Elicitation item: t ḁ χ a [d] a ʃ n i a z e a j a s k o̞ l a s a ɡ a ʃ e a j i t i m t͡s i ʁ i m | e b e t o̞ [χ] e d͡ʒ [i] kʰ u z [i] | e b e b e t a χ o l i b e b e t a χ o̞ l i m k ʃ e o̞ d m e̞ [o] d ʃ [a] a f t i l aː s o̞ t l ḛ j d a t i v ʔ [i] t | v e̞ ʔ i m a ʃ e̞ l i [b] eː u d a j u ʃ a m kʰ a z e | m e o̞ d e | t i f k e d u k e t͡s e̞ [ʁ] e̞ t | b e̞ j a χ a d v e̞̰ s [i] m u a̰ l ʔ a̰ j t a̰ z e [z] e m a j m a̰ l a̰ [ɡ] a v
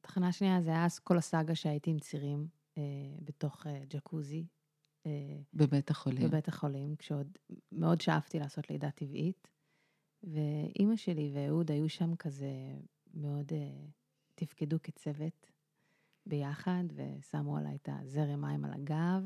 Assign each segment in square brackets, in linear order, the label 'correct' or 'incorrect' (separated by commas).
incorrect, correct, incorrect, correct, correct, correct, correct, incorrect, incorrect, incorrect, incorrect, correct